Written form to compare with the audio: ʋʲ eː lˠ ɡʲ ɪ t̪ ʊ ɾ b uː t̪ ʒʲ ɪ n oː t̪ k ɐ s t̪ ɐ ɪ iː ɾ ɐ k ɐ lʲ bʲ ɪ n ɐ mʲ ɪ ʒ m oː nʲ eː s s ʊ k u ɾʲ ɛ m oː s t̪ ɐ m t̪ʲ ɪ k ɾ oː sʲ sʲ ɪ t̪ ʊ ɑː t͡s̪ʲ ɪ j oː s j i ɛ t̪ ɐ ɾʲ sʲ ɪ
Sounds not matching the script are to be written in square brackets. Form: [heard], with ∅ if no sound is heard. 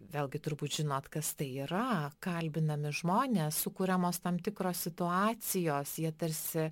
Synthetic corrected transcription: ʋʲ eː lˠ ɡʲ ɪ t̪ ʊ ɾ b uː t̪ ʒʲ ɪ n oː t̪ k ɐ s t̪ ɐ ɪ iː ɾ ɐ k ɐ lʲ bʲ ɪ n ɐ mʲ ɪ ʒ m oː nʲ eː s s ʊ k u ɾʲ ɛ m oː s t̪ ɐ m t̪ʲ ɪ k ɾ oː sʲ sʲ ɪ t̪ ʊ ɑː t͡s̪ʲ ɪ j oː s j i ɛ t̪ ɐ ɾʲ sʲ ɪ